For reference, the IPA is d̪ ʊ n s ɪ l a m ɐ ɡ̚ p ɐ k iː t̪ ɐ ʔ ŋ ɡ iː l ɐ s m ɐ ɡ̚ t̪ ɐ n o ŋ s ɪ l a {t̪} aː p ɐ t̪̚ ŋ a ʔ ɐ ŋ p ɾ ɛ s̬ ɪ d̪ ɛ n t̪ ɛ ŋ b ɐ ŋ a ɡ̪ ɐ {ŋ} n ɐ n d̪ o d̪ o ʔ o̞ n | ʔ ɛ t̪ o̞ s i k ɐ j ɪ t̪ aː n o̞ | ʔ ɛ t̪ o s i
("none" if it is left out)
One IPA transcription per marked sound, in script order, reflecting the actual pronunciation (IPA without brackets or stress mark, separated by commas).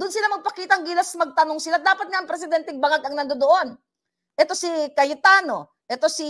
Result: d̪, ŋ